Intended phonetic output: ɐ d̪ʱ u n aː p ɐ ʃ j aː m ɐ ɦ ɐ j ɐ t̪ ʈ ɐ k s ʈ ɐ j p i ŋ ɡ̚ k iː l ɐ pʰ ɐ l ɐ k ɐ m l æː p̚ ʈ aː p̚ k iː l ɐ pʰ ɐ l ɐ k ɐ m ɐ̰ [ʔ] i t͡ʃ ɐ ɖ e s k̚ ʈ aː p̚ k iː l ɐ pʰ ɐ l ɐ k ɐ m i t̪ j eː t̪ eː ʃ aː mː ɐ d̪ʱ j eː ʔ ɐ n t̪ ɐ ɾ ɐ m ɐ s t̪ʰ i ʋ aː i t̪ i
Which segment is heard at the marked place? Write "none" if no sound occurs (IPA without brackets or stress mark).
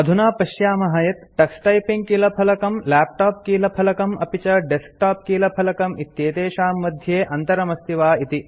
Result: p